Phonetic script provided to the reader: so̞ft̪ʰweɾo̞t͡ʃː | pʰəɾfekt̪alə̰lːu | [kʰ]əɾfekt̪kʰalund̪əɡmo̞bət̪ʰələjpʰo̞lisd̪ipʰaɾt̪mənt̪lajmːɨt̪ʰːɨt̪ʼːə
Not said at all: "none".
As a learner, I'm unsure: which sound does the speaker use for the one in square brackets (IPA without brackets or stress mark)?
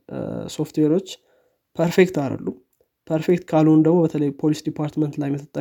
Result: pʰ